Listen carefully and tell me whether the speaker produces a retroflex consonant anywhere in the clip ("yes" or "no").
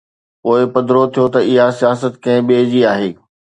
no